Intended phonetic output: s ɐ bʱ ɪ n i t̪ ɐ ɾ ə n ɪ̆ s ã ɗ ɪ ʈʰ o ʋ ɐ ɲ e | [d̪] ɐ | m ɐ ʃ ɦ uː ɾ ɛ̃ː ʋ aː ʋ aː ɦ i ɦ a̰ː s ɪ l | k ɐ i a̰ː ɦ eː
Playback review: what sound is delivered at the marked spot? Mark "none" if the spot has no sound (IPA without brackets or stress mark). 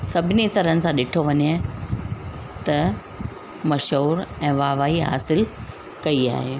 t̪